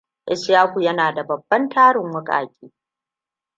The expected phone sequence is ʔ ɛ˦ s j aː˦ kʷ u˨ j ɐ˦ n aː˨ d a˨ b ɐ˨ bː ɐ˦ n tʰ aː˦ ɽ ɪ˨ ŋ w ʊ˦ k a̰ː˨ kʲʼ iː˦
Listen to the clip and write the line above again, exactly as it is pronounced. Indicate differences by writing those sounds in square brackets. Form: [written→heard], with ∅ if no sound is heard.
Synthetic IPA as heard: ʔ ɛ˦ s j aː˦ kʷ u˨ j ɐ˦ n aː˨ d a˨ b ɐ˨ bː ɐ˦ n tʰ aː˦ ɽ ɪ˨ ŋ w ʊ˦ [k→kʼ] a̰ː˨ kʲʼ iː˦